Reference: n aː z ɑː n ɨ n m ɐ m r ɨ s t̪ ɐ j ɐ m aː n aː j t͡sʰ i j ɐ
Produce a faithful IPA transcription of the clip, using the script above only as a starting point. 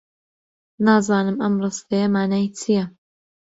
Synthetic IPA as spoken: n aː z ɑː n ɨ m ɐ m r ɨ s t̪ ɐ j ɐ m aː n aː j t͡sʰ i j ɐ